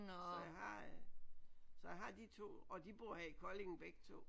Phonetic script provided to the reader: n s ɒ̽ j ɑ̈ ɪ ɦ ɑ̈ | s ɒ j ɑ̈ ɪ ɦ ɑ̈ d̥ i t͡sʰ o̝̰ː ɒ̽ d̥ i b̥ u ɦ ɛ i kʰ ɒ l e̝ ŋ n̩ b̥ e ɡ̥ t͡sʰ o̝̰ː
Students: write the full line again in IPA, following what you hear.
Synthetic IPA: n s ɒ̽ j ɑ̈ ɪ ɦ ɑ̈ | s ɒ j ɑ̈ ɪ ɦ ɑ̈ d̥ i t͡sʰ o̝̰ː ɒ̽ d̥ i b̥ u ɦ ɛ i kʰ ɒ l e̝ ŋ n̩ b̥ e ɡ̥ t͡sʰ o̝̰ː